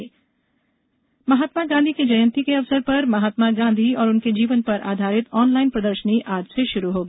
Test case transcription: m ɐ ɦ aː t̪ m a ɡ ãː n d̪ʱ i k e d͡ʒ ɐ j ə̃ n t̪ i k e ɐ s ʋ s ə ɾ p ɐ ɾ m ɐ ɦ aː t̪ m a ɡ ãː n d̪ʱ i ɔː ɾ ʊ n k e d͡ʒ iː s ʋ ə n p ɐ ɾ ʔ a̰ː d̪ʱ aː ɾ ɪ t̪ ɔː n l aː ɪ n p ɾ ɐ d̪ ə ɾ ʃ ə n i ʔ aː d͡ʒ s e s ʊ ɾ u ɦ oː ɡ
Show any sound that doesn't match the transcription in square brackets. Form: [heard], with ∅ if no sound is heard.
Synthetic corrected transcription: m ɐ ɦ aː t̪ m a ɡ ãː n d̪ʱ i k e d͡ʒ ɐ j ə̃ n t̪ i k e ɐ [∅] ʋ s ə ɾ p ɐ ɾ m ɐ ɦ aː t̪ m a ɡ ãː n d̪ʱ i ɔː ɾ ʊ n k e d͡ʒ iː [∅] ʋ ə n p ɐ ɾ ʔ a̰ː d̪ʱ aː ɾ ɪ t̪ ɔː n l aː ɪ n p ɾ ɐ d̪ ə ɾ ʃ ə n i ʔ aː d͡ʒ s e [ʃ] ʊ ɾ u ɦ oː ɡ